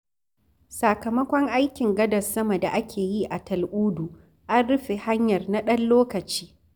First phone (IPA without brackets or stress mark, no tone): s